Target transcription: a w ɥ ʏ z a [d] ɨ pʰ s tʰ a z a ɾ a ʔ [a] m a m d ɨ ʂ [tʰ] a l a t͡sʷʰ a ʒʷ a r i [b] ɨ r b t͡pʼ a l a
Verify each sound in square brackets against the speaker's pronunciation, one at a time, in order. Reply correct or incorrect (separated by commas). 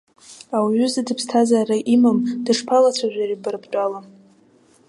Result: correct, incorrect, incorrect, correct